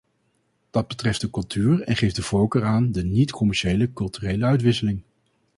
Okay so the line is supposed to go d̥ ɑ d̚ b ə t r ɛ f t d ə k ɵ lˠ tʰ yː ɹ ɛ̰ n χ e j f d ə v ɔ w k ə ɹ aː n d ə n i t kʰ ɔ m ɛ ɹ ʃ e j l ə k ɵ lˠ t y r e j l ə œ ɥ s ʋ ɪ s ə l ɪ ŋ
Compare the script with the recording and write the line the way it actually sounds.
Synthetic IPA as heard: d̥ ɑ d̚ b ə t r ɛ f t d ə k ɵ lˠ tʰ yː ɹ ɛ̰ n χ e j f d ə v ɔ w k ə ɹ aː n d ə n i t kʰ ɔ m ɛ ɹ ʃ e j l ə k ɵ lˠ t y r e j l ə œ ɥ t ʋ ɪ s ə l ɪ ŋ

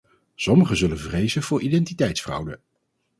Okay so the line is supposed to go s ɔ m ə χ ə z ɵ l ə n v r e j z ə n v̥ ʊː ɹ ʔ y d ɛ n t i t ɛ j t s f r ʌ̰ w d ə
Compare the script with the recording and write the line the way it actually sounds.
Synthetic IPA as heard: s ɔ m ə χ ə z ɵ l ə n v r e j z ə n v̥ ʊː ɹ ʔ i d ɛ n t i t ɛ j t s f r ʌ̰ w d ə

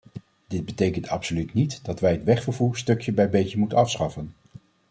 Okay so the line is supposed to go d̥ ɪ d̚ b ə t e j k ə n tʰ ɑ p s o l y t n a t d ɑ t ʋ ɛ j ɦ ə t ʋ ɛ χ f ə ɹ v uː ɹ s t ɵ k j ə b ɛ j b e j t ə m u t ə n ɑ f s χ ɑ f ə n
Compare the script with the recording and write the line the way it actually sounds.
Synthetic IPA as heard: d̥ ɪ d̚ b ə t e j k ə n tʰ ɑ p s o l y t n i t d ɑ t ʋ ɛ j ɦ ə t ʋ ɛ χ f ə ɹ v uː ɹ s t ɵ k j ə b ɛ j b e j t ə m u t ə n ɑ f s χ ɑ f ə n

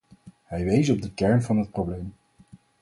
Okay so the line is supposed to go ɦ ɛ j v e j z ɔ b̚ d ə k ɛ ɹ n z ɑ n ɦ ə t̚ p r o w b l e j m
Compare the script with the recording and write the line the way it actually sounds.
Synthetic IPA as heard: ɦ ɛ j ʋ e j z ɔ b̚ d ə k ɛ ɹ n v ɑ n ɦ ə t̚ p r o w b l e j m

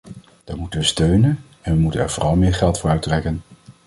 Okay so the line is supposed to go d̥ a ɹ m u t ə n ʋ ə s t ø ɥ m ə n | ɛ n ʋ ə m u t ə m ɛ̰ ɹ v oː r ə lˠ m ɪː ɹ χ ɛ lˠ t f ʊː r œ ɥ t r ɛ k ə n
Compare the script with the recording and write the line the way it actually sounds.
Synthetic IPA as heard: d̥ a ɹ m u t ə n ʋ ə s t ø ɥ n ə n | ɛ n ʋ ə m u t ə n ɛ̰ ɹ v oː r ɑ lˠ m ɪː ɹ χ ɛ lˠ t f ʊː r œ ɥ t r ɛ k ə n

